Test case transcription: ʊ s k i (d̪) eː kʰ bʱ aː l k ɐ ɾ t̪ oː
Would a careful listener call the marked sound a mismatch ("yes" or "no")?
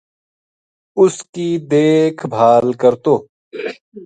no